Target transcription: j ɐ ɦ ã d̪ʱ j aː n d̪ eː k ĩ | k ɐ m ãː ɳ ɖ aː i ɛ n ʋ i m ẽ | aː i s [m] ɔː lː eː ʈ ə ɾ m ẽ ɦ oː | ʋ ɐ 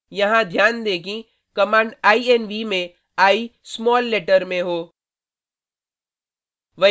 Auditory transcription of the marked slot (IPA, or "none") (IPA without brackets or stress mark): m